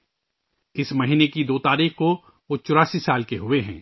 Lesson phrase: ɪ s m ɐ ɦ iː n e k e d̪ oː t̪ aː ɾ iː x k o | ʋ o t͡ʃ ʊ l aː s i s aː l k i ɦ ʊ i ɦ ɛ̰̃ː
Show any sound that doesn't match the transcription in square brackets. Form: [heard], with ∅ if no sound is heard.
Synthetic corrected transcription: ɪ s m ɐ ɦ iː n e k [i] d̪ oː t̪ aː ɾ iː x k o | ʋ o t͡ʃ ʊ [ɾ] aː s i s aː l k [e] ɦ ʊ [e] ɦ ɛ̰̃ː